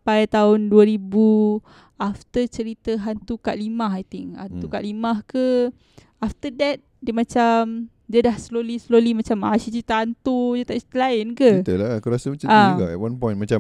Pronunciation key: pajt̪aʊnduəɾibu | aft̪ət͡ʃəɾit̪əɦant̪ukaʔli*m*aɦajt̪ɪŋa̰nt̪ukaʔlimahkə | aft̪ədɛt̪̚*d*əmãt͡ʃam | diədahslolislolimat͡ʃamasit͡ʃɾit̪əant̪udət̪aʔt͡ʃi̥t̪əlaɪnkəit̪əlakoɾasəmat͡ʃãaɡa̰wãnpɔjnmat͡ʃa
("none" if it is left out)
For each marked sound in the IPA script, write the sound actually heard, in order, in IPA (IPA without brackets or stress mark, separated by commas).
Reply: m, d